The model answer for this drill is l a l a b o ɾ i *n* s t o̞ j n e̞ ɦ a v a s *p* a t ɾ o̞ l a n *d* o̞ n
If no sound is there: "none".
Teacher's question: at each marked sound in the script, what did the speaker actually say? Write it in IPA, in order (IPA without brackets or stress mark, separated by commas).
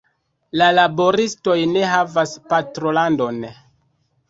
none, p, d